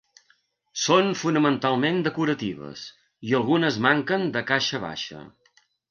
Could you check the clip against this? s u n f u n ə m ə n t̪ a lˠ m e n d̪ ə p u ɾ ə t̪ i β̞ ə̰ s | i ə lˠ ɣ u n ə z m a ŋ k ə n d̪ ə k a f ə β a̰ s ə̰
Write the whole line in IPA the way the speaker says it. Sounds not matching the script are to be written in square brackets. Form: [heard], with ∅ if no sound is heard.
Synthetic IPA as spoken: s [o] n f u n ə m ə n t̪ a lˠ m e n d̪ ə [k] u ɾ ə t̪ i β̞ ə̰ s | i ə lˠ ɣ u n ə z m a ŋ k ə n d̪ ə k a [ʃ] ə β a̰ [ʃ] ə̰